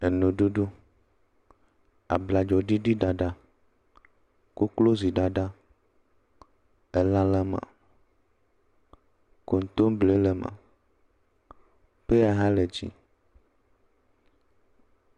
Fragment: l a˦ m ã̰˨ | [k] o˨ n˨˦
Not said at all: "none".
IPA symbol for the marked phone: k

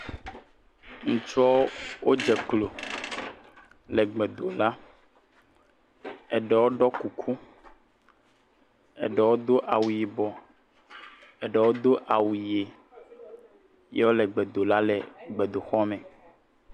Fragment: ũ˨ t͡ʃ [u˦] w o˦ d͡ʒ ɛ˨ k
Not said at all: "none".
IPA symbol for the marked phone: ɔ˦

